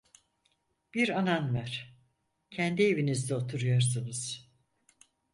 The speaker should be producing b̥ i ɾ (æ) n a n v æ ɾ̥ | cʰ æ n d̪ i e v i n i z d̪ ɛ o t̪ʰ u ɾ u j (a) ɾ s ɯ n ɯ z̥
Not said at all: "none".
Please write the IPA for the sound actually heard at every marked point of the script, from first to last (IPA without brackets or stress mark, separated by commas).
a, a